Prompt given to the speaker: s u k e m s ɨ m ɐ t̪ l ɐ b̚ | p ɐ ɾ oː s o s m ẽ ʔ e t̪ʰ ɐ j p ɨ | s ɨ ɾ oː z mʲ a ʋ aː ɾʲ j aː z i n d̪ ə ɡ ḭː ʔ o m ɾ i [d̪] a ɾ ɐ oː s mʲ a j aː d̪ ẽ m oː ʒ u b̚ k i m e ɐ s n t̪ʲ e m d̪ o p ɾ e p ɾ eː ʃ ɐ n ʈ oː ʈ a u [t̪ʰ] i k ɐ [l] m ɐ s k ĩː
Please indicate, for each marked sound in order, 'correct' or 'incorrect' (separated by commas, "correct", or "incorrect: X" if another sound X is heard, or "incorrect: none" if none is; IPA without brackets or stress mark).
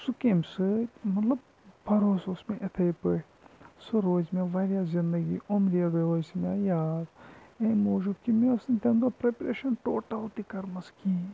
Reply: incorrect: none, incorrect: t̪, incorrect: ɾ